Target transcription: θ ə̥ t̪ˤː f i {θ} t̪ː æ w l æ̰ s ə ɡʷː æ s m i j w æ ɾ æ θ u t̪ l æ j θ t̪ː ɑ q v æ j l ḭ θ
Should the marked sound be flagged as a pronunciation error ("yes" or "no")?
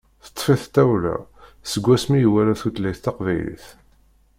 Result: no